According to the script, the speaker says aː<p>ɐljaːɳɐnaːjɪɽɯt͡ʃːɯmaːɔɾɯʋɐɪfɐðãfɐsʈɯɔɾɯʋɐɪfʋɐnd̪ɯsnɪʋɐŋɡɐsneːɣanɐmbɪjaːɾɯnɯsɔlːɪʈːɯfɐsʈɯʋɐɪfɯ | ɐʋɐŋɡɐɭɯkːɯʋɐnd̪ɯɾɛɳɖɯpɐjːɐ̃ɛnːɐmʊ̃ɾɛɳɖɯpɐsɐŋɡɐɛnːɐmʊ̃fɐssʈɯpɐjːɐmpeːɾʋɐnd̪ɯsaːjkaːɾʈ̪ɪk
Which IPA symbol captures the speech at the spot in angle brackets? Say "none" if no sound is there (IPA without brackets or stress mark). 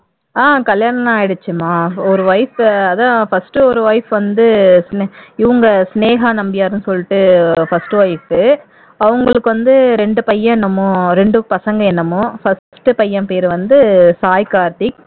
k